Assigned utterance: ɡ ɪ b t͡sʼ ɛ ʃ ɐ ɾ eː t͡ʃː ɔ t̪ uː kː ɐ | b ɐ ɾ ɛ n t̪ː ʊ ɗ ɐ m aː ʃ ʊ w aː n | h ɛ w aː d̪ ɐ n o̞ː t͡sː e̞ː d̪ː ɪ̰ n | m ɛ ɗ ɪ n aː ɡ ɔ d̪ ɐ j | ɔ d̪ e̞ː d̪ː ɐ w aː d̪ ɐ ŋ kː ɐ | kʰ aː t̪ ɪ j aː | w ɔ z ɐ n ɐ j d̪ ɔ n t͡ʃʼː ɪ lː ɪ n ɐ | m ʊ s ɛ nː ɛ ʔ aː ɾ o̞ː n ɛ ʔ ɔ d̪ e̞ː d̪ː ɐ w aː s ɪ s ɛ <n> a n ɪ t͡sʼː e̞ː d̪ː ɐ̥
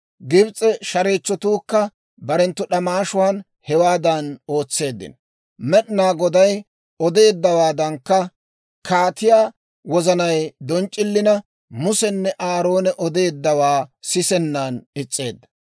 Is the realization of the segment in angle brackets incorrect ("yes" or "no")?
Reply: yes